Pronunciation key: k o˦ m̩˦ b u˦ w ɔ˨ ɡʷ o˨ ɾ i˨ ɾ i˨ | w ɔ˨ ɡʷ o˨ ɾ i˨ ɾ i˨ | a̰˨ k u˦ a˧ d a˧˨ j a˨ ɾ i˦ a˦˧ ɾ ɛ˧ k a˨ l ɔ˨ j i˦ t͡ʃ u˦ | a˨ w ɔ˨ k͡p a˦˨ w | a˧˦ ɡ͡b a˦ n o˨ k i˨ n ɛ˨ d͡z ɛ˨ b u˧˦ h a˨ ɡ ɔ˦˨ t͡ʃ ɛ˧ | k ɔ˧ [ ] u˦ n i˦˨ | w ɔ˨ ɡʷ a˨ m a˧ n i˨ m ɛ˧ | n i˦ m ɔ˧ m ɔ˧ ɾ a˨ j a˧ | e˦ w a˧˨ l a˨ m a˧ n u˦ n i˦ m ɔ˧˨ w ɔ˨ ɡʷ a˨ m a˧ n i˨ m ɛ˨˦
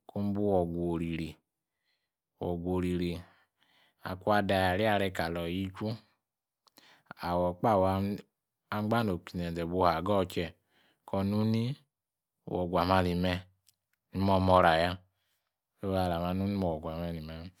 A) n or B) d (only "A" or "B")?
A